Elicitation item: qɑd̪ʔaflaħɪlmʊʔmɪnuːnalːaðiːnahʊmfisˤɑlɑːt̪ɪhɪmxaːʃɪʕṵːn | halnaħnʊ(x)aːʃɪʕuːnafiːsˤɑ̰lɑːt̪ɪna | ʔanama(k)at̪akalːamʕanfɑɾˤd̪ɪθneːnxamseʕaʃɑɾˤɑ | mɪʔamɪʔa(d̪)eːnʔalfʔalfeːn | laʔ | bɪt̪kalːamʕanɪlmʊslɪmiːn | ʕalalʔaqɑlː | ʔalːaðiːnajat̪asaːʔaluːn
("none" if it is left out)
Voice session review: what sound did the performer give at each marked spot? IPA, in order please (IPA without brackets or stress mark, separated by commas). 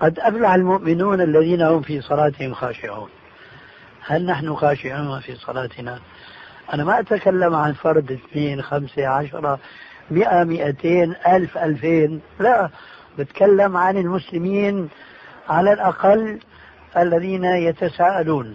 x, ʔ, t̪